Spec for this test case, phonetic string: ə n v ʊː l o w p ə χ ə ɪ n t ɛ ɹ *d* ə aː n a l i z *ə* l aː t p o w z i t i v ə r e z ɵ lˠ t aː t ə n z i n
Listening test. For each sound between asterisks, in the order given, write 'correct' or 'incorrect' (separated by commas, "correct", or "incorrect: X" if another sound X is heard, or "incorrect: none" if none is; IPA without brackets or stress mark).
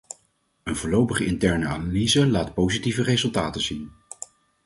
incorrect: n, correct